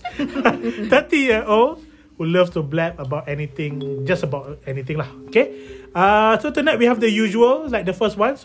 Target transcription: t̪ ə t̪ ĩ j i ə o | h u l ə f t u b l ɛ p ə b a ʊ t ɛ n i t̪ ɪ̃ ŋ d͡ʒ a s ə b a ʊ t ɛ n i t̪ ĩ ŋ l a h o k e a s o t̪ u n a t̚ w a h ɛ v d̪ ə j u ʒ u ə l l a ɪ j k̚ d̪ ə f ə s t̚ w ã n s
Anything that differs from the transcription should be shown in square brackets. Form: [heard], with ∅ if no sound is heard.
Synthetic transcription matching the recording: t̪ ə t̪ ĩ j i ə o | h u l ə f t u b l ɛ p ə b a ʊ t ɛ n i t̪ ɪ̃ ŋ d͡ʒ a s ə b a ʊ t ɛ n i t̪ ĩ ŋ l a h o k e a s o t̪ u n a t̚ w [i] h ɛ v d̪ ə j u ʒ u ə l l a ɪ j k̚ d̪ ə f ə s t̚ w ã n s